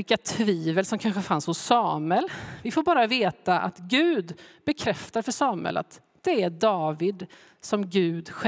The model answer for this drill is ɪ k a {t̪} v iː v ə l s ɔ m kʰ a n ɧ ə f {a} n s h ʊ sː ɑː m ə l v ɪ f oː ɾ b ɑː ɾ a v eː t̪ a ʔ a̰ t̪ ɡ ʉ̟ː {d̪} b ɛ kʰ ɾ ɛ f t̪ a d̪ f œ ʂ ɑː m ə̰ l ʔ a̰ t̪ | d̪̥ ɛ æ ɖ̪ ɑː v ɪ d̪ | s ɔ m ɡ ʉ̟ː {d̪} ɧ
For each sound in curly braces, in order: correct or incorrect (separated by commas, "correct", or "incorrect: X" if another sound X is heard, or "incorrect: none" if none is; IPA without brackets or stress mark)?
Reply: incorrect: t̪ʰ, correct, correct, correct